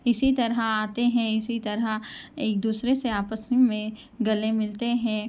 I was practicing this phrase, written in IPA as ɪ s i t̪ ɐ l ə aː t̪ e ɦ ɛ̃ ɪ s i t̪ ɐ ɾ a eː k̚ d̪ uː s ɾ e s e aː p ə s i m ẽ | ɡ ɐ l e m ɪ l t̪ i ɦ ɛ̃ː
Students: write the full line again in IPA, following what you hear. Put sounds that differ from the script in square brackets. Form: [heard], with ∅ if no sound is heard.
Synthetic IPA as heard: ɪ s i t̪ ɐ [ɾ] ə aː t̪ e ɦ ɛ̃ ɪ s i t̪ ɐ ɾ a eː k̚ d̪ uː s ɾ e s e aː p ə s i m ẽ | ɡ ɐ l e m ɪ l t̪ [e] ɦ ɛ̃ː